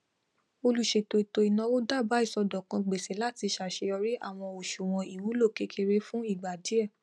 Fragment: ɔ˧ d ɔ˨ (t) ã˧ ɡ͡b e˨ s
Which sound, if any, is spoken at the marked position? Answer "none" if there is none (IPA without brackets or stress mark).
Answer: k